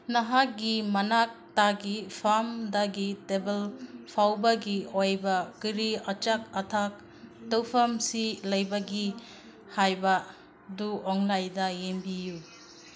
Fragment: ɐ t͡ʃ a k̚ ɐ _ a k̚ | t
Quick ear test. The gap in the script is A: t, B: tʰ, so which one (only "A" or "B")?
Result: B